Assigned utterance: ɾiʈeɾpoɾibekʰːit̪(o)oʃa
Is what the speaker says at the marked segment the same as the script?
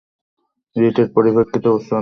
yes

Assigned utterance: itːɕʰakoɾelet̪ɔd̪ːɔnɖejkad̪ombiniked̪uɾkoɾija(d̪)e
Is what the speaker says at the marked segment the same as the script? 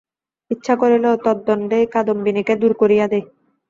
yes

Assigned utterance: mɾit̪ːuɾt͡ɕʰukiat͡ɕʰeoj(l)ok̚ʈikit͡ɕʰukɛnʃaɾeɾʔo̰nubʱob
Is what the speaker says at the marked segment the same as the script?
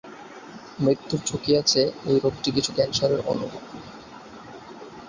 no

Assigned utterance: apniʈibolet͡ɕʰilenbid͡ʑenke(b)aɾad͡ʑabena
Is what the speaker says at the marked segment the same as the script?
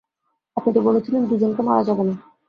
no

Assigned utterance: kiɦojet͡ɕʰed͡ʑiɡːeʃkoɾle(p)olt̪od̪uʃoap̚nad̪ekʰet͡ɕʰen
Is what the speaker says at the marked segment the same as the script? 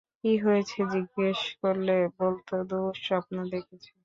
no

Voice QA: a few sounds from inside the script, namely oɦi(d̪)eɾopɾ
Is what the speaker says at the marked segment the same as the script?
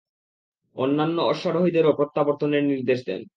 yes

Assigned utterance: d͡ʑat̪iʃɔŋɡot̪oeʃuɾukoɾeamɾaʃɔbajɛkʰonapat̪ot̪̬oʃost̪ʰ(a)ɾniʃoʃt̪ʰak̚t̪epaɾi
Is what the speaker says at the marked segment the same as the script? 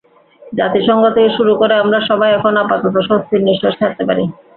no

